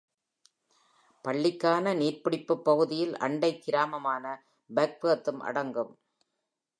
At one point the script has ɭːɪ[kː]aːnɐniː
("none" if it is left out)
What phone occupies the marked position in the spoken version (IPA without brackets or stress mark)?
kː